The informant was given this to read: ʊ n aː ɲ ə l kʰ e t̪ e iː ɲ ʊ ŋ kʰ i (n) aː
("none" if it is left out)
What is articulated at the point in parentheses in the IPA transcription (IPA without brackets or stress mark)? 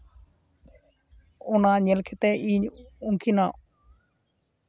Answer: n